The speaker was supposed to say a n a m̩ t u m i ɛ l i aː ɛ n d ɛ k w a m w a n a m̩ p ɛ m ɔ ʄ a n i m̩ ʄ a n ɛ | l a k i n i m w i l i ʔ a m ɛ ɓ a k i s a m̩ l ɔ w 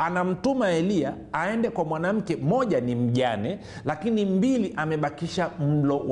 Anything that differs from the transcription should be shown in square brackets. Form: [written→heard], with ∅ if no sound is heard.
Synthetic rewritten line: a n a m̩ t u m [i→a] ɛ l i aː ɛ n d ɛ k w a m w a n a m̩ [p→k] ɛ m ɔ ʄ a n i m̩ ʄ a n ɛ | l a k i n i m [w→b] i l i ʔ a m ɛ ɓ a k i [s→ʃ] a m̩ l ɔ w